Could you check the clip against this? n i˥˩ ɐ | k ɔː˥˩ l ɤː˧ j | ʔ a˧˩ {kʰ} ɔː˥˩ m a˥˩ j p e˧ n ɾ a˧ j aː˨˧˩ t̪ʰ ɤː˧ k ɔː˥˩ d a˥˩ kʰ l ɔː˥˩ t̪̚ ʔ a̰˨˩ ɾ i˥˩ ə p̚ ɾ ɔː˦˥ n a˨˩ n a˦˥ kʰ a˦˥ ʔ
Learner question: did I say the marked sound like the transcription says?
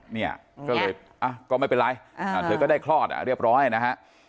no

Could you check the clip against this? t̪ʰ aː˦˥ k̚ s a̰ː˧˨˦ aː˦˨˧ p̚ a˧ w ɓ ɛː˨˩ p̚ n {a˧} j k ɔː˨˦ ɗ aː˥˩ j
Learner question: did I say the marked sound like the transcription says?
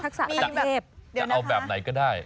no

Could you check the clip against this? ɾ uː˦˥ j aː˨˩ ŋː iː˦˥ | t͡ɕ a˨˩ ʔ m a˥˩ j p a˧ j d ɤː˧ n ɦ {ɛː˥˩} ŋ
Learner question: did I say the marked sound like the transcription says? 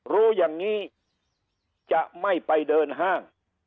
no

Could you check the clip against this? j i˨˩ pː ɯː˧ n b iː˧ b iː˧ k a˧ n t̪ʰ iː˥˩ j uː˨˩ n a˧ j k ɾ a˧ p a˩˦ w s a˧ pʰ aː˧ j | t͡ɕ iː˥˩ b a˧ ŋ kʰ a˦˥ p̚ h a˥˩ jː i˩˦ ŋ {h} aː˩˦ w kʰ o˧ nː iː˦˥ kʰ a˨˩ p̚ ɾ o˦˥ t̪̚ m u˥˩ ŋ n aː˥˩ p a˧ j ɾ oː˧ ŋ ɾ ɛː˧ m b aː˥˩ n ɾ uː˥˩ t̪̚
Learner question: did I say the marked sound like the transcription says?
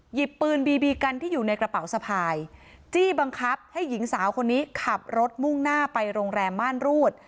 no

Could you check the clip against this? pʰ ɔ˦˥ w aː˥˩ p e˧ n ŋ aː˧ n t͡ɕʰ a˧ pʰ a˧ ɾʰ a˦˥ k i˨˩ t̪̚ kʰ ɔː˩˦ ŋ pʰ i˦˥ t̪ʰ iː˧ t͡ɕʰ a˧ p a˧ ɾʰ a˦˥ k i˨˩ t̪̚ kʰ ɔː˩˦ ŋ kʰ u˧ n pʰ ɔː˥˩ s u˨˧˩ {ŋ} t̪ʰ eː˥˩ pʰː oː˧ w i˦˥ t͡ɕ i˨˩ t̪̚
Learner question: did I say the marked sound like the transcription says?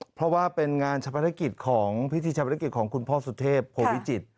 no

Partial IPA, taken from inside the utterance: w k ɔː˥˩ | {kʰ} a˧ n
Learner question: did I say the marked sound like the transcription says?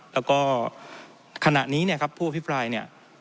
yes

